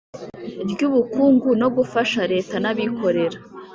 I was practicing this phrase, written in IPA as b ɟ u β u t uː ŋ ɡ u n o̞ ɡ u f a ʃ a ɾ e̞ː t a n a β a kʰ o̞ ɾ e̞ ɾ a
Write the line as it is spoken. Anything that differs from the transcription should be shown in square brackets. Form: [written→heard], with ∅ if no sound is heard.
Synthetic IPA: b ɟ u β u [t→k] uː ŋ ɡ u n o̞ ɡ u f a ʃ a ɾ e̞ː t a n a β [a→i] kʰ o̞ ɾ e̞ ɾ a